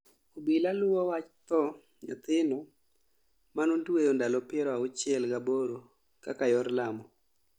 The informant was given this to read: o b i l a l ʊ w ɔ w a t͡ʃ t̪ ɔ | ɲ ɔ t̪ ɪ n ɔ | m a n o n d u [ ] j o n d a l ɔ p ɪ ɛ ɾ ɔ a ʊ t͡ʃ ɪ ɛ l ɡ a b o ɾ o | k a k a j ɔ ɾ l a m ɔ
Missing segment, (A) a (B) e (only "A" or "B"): B